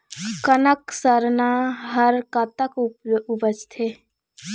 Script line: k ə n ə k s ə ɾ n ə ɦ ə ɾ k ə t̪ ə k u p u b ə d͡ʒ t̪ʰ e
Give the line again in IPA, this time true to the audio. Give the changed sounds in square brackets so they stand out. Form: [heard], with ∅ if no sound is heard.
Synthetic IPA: k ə n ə k s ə ɾ n [a] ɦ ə ɾ k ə t̪ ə k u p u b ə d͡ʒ t̪ʰ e